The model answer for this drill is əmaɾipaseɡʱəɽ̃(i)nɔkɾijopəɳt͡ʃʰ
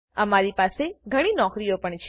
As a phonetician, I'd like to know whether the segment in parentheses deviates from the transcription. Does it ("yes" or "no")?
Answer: no